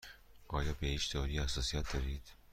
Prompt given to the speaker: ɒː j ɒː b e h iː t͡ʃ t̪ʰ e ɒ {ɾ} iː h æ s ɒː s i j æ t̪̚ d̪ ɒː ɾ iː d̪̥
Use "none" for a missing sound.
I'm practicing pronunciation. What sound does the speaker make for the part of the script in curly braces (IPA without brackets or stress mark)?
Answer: ɾ